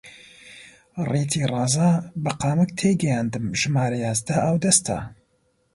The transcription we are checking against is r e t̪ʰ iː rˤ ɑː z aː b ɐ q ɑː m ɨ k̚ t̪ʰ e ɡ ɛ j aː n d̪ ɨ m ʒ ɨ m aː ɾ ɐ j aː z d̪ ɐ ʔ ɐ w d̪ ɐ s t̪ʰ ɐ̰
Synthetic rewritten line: r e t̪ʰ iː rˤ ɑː z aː b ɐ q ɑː m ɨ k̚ t̪ʰ e ɡ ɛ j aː n d̪ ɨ m ʒ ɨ m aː ɾ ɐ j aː z d̪ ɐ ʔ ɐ w d̪ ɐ s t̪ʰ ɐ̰